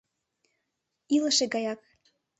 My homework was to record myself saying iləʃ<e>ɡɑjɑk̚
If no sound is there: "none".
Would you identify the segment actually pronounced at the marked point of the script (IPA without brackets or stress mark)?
e